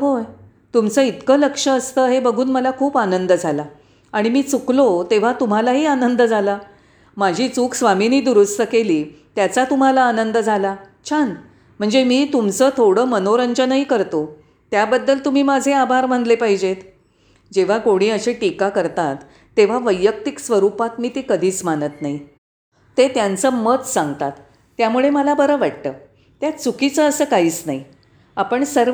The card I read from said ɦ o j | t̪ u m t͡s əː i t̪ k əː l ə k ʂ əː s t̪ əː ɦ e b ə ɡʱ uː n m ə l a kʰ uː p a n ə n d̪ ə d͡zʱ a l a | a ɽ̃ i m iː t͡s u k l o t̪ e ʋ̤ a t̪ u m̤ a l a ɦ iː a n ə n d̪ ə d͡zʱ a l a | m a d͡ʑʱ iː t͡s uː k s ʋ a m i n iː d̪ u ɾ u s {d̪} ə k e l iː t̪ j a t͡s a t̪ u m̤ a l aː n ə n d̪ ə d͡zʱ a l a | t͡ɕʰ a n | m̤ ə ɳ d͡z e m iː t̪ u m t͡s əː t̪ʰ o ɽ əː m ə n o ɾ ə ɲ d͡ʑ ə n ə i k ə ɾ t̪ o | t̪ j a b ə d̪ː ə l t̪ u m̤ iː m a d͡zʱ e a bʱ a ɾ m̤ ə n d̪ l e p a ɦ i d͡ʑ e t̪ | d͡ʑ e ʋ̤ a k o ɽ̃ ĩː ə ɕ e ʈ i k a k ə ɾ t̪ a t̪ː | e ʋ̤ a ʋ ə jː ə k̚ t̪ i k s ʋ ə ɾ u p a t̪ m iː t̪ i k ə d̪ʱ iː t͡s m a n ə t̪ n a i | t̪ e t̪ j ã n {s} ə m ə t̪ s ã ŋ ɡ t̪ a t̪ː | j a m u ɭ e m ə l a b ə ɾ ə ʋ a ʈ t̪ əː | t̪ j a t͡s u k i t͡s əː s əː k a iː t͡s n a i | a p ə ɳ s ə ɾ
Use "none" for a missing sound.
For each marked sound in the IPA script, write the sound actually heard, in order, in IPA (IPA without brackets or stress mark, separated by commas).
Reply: t̪, t͡s